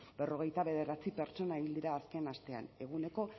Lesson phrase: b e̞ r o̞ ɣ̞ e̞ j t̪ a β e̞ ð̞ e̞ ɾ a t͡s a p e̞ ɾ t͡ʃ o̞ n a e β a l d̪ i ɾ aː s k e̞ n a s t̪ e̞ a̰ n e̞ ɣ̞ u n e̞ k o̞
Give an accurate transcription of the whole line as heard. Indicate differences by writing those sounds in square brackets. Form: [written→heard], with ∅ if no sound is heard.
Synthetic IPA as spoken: b e̞ r o̞ ɣ̞ e̞ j t̪ a β e̞ ð̞ e̞ ɾ a t͡s [a→i] p e̞ ɾ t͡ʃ o̞ n a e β [a→i] l d̪ i ɾ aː s k e̞ n a s t̪ e̞ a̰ n e̞ ɣ̞ u n e̞ k o̞